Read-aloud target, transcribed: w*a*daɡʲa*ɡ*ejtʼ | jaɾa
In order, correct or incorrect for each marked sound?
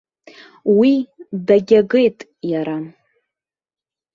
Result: incorrect: i, correct

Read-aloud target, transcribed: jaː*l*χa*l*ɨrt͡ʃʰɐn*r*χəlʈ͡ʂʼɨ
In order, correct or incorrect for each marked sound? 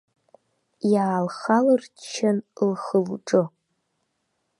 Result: correct, correct, incorrect: l

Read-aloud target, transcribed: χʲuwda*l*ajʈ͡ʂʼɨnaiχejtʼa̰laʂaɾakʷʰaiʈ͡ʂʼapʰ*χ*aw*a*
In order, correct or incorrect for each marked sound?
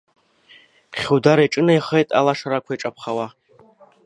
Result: incorrect: ɾ, correct, correct

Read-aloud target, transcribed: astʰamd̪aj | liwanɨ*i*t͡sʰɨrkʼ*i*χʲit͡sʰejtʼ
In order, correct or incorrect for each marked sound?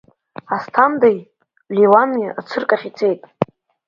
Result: incorrect: a, incorrect: a

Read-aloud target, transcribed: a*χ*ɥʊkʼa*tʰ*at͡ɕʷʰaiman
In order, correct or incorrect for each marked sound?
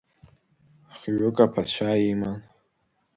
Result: correct, incorrect: pʰ

